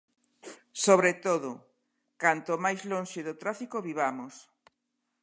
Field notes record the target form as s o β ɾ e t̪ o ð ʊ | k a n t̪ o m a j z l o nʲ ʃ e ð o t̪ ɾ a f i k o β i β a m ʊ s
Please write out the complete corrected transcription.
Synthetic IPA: s o β ɾ e t̪ o ð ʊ | k a n t̪ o m a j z l o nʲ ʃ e ð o t̪ ɾ a f i k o β i β a m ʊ s